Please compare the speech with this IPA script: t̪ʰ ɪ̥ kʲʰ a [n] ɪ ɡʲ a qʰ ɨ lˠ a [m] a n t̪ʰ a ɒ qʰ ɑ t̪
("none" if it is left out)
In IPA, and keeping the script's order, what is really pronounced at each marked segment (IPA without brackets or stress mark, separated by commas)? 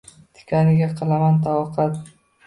n, m